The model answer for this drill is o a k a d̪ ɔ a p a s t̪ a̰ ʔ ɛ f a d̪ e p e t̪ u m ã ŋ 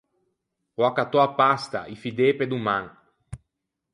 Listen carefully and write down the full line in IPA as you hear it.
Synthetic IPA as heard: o a k a t̪ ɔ a p a s t̪ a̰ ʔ i f i d̪ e p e d̪ u m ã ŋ